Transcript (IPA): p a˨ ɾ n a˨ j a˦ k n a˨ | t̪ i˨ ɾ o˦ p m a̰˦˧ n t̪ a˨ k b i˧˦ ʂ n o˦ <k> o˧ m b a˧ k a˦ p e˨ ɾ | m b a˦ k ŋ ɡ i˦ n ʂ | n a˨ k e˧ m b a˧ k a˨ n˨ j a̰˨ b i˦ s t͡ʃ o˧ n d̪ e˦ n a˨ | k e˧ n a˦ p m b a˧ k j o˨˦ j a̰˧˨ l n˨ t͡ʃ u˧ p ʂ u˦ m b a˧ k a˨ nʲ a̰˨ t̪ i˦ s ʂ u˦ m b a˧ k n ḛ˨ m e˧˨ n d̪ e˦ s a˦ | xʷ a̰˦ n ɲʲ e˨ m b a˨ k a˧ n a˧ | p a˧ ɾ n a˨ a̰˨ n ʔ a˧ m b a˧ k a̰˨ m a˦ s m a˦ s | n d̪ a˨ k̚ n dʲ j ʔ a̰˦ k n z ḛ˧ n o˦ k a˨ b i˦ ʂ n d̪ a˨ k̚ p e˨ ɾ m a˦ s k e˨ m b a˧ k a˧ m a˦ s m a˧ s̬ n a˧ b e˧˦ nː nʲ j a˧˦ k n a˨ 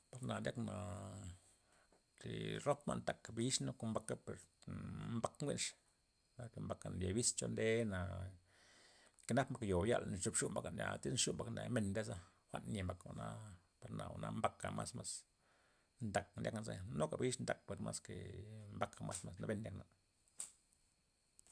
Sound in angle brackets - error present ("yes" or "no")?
no